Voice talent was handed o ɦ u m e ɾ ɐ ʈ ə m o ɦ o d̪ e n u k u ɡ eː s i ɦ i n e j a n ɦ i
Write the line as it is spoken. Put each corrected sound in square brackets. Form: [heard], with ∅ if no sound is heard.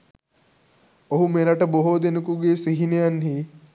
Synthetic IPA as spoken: o ɦ u m e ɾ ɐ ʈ ə [b] o ɦ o d̪ e n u k u ɡ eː s i ɦ i n e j a n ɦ i